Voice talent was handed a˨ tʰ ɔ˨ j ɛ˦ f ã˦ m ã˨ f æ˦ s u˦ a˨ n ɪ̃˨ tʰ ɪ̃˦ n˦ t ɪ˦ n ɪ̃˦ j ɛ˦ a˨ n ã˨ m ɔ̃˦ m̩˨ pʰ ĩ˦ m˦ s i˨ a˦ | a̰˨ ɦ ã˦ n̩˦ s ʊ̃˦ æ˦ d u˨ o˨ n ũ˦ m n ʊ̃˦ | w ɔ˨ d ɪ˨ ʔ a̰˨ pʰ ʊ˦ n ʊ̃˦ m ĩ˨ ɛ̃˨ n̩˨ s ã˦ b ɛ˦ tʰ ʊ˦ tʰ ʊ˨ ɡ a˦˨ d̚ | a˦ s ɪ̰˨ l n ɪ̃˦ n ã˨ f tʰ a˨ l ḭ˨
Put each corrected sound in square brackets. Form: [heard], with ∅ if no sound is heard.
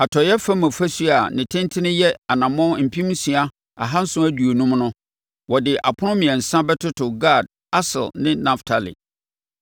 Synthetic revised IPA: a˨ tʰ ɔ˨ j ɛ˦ f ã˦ m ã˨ f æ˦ s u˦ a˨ n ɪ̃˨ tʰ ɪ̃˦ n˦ [tʰ] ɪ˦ n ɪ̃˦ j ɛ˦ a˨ n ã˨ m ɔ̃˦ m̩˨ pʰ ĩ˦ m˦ s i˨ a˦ | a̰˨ ɦ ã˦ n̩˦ s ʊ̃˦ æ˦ d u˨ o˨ n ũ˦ m n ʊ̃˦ | w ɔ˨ d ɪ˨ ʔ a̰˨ pʰ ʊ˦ n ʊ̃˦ m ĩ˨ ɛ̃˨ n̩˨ s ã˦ b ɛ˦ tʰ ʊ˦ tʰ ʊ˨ ɡ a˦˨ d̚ | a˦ s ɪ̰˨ l n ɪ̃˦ n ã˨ f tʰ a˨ l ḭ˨